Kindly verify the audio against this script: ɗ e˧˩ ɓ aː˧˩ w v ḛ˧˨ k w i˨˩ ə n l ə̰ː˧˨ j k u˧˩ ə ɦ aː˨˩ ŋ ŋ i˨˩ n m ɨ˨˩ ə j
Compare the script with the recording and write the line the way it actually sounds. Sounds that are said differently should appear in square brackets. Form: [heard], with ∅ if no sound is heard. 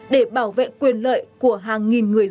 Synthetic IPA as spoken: ɗ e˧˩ ɓ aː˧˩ w v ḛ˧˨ k w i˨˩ ə n l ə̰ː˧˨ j k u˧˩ ə ɦ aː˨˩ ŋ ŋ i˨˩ n [ŋ] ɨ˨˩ ə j